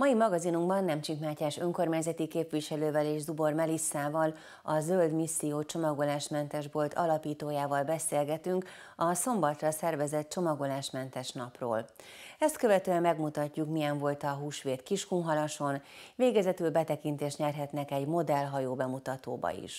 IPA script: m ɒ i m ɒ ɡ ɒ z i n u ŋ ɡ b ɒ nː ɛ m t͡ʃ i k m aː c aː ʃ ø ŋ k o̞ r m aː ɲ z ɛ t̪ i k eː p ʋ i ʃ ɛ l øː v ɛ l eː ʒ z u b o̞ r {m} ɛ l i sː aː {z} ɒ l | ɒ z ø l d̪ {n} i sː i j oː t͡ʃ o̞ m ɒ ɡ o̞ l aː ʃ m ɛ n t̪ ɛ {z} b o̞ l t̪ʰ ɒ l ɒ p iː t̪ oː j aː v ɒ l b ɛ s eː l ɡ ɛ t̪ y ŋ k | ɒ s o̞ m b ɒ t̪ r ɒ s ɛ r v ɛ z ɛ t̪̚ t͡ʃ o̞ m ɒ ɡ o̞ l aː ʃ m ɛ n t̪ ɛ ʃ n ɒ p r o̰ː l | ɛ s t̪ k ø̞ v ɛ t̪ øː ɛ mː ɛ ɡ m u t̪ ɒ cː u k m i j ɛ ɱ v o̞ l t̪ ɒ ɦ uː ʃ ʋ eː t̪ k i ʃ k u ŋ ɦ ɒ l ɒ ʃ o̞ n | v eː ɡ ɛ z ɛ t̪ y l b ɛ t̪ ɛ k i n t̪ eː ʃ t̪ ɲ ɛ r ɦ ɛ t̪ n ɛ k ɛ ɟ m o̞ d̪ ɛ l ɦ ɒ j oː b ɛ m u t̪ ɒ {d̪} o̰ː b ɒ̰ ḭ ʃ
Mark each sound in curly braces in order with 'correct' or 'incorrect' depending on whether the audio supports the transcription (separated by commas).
correct, incorrect, incorrect, incorrect, incorrect